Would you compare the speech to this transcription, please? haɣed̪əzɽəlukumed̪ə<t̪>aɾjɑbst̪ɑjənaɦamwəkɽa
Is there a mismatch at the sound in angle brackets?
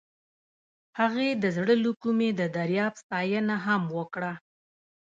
yes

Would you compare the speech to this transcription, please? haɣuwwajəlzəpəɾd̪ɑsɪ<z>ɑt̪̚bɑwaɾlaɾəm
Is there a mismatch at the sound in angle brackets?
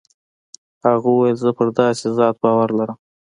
no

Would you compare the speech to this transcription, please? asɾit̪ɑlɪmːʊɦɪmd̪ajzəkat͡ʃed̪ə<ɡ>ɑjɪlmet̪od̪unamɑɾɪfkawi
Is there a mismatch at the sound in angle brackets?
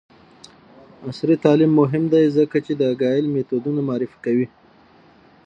no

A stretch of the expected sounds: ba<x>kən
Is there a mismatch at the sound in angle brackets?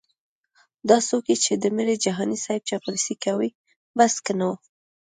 yes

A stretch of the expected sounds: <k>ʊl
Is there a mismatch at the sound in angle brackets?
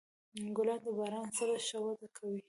yes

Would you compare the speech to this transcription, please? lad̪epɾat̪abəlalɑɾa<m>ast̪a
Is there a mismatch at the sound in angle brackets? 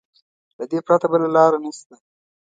yes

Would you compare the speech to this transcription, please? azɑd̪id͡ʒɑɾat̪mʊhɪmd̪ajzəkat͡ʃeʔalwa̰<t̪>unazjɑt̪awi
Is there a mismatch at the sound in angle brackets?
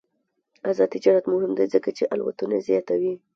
no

